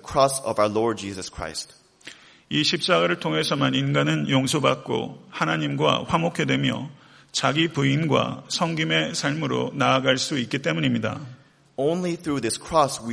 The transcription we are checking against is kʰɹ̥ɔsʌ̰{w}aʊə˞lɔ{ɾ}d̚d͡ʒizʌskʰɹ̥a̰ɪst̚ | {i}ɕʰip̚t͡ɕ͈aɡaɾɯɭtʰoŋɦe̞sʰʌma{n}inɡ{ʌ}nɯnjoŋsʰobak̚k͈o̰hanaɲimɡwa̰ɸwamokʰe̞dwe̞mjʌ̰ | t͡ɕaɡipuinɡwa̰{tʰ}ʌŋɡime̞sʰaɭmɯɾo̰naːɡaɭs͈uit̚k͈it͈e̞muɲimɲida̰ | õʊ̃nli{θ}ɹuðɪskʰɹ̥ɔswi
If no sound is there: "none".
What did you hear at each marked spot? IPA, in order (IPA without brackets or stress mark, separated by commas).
v, ɹ, i, n, a, sʰ, θ